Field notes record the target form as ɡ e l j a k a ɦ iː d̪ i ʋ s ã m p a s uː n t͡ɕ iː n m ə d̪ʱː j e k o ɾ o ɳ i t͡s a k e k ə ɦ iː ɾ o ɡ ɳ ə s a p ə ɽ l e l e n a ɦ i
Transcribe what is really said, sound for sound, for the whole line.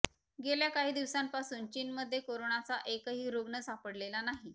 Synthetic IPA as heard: ɡ e l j a k a ɦ iː d̪ i ʋ s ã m p a s uː n t͡ɕ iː n m ə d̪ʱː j e k o ɾ o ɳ a t͡s a ʔ e k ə ɦ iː ɾ o ɡ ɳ ə s a p ə ɽ l e l a n a ɦ i

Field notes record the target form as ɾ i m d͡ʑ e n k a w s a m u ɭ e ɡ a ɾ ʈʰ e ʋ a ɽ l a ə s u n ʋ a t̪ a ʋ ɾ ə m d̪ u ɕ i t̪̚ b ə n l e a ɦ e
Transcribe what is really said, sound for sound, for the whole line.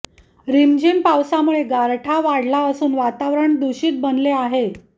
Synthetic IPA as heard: ɾ i m d͡ʑ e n p a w s a m u ɭ e ɡ a ɾ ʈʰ a ʋ a ɽ l a ə s uː n ʋ a t̪ a ʋ ɾ ə ɳ d̪ u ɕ iː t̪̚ b ə n l e a ɦ e

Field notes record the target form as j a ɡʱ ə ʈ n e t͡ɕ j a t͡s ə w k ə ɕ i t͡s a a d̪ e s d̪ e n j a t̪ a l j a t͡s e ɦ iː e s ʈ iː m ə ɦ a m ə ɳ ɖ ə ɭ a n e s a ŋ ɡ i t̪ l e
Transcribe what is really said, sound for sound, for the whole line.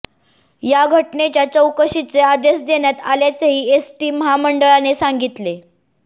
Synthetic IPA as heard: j a ɡʱ ə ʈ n e t͡ɕ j a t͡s ə w k ə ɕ i t͡s e a d̪ e s d̪ e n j a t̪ a l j a t͡s e ɦ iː e s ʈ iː m ə ɦ a m ə ɳ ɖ ə ɭ a n e s a ŋ ɡ i t̪ l e

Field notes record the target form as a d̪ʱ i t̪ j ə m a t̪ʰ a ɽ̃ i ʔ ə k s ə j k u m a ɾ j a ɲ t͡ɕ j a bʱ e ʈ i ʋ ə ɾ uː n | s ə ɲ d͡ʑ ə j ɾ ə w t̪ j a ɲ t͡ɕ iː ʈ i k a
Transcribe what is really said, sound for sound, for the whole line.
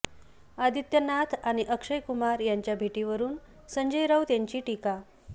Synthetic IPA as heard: a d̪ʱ i t̪ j ə n a t̪ʰ a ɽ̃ i ʔ ə k ʂ ə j k u m a ɾ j a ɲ t͡ɕ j a bʱ e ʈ i ʋ ə ɾ uː n | s ə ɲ d͡ʑ ə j ɾ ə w t̪ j a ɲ t͡ɕ iː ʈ i k a

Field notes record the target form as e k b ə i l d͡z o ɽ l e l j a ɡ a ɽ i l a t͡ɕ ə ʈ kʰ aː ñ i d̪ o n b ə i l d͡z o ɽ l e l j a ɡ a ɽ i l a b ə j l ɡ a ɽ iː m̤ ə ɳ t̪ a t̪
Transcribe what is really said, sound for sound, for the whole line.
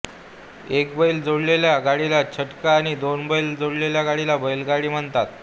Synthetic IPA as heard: e k b ə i l d͡z o ɽ l e l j a ɡ a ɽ i l a t͡ɕʰ ə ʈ k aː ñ i d̪ o n b ə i l d͡z o ɽ l e l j a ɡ a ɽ i l a b ə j l ɡ a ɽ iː m̤ ə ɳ t̪ a t̪

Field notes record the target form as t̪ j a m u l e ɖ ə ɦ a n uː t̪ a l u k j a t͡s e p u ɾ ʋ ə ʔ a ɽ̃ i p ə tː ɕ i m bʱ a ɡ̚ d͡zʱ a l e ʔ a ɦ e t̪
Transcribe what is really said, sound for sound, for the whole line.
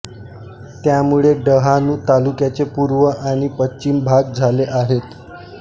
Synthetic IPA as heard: t̪ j a m u ɭ e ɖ ə ɦ a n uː t̪ a l u k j a t͡s e p u ɾ ʋ ə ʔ a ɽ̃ i p ə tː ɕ i m bʱ a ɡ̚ d͡zʱ a l e ʔ a ɦ e t̪

